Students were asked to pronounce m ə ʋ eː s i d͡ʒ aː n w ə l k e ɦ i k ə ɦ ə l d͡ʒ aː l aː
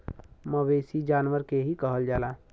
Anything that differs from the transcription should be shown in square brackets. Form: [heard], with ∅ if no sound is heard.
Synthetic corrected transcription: m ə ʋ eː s i d͡ʒ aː n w ə [ɾ] k e ɦ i k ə ɦ ə l d͡ʒ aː l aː